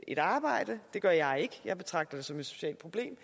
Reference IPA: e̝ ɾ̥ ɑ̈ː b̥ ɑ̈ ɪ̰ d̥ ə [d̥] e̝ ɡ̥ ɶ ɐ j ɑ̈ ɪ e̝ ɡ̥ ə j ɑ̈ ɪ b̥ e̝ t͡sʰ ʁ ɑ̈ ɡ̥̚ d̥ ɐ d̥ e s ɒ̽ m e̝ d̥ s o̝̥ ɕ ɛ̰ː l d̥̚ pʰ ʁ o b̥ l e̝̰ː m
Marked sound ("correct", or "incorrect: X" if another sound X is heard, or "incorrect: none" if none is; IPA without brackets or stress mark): correct